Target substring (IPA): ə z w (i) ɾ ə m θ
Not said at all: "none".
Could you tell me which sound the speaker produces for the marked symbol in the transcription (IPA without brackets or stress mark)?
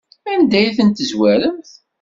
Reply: æ